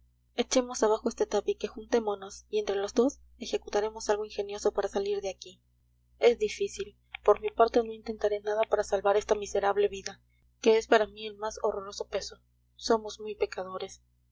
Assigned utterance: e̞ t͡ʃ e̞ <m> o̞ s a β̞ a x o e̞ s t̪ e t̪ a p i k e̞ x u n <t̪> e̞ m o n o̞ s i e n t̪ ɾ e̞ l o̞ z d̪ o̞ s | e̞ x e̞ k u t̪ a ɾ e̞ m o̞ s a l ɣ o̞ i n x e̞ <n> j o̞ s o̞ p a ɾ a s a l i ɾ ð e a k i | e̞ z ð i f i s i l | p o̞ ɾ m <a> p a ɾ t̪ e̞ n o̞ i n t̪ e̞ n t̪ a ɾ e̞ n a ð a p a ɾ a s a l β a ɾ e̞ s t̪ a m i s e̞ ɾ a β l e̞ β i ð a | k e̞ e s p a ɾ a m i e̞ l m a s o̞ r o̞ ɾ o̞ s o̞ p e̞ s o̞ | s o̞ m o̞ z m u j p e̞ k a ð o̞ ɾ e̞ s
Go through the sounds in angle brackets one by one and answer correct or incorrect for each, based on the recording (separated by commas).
correct, correct, correct, incorrect